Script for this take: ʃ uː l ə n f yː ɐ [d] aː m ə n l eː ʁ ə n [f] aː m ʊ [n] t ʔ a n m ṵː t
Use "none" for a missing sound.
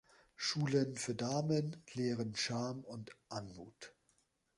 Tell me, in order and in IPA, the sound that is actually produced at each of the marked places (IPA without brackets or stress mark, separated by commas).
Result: d, ʃ, n